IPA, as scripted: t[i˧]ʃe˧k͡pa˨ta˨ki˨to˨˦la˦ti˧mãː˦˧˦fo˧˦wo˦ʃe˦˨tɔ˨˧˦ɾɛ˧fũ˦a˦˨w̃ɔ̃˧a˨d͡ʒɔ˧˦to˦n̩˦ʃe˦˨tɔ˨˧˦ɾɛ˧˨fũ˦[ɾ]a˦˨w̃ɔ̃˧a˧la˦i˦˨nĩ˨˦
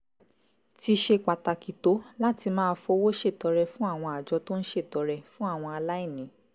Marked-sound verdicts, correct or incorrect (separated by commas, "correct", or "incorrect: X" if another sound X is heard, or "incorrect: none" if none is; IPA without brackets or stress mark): correct, incorrect: none